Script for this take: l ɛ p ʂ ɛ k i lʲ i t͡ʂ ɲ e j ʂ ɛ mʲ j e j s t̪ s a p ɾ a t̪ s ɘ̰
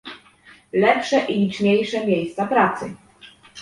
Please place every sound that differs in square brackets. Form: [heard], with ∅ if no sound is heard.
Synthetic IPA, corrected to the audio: l ɛ p ʂ ɛ [ʔ] i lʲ i t͡ʂ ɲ e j ʂ ɛ mʲ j e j s t̪ s a p ɾ a t̪ s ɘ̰